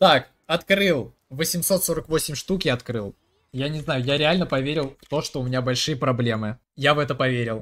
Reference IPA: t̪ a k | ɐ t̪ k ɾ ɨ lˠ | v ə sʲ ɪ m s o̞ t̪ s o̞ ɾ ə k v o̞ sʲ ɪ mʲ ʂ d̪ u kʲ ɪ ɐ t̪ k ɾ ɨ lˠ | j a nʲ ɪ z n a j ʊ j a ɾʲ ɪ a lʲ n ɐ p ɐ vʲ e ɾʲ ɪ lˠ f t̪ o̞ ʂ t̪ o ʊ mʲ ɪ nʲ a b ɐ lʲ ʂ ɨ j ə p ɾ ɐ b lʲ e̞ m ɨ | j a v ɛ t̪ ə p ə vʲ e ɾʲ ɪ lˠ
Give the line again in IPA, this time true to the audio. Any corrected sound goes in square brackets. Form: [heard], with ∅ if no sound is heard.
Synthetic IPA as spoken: t̪ a k | ɐ t̪ k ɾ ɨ lˠ | v ə sʲ ɪ m s o̞ t̪ s o̞ ɾ ə k v o̞ sʲ ɪ mʲ ʂ [t̪] u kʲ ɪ ɐ t̪ k ɾ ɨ lˠ | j a nʲ ɪ z n a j ʊ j a ɾʲ ɪ a lʲ n [ə] p ɐ vʲ e ɾʲ ɪ lˠ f t̪ o̞ ʂ t̪ o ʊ mʲ ɪ nʲ a b ɐ lʲ ʂ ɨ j ə p ɾ ɐ b lʲ e̞ m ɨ | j a v ɛ t̪ ə p [ɐ] vʲ e ɾʲ ɪ lˠ